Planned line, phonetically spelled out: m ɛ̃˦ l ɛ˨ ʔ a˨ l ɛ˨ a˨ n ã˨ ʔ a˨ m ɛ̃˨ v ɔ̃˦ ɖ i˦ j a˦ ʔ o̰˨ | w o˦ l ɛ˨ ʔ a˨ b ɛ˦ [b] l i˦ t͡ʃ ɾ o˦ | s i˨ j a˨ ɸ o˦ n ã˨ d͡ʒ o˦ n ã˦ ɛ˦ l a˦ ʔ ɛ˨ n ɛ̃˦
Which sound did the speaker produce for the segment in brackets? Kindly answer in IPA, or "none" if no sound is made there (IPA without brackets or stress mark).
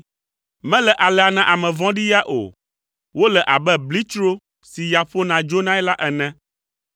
b